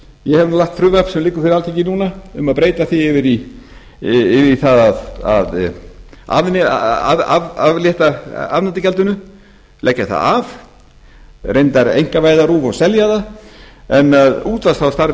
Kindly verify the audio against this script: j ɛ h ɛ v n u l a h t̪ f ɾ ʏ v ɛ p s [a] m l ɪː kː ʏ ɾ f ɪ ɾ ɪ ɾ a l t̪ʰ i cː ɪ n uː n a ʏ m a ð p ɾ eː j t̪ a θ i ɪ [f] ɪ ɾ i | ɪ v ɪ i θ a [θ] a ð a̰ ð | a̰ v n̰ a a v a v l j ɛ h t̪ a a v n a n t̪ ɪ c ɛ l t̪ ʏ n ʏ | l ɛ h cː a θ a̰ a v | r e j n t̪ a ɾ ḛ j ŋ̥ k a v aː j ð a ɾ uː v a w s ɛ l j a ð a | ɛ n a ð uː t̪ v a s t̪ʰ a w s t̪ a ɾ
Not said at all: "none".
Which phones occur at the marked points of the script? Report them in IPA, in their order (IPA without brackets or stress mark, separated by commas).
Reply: ɛ, v, ð